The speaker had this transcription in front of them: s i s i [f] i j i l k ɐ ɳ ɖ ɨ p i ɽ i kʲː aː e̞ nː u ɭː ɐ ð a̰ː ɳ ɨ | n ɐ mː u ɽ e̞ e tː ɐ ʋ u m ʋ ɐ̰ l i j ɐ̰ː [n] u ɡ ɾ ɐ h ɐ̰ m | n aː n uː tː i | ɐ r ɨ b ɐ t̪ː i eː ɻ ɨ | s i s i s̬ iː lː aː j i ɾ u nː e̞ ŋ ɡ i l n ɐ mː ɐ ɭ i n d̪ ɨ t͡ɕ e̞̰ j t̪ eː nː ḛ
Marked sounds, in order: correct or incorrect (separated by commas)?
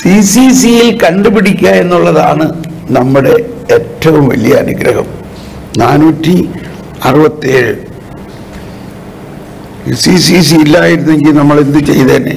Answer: incorrect, correct